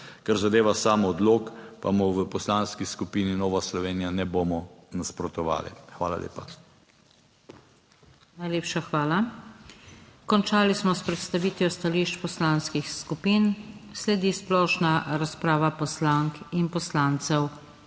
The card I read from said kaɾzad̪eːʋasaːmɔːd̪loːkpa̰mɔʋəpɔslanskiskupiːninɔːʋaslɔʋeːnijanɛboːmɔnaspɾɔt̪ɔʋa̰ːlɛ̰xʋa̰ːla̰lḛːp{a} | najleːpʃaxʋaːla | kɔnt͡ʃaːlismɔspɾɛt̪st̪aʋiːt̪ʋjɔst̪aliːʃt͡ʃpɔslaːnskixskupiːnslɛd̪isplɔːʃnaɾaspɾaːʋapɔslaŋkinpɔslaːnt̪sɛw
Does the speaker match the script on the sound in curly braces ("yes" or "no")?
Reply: yes